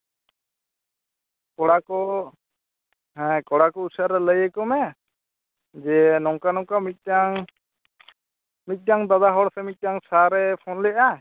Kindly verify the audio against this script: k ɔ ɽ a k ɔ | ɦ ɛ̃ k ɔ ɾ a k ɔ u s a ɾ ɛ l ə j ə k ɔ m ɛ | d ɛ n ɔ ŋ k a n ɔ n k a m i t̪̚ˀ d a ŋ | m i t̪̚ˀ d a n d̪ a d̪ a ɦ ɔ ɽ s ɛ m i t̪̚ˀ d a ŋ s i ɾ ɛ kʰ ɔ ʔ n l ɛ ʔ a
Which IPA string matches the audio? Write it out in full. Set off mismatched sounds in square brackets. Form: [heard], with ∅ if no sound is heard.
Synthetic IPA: k ɔ ɽ a k ɔ | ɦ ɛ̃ k ɔ [ɽ] a k ɔ u s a ɾ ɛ l ə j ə k ɔ m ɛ | [d͡ʒ] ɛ n ɔ ŋ k a n ɔ [ŋ] k a m i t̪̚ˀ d a ŋ | m i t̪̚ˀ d a [ŋ] d̪ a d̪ a ɦ ɔ ɽ s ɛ m i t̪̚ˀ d a ŋ s [a] ɾ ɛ [pʰ] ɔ [∅] n l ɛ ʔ a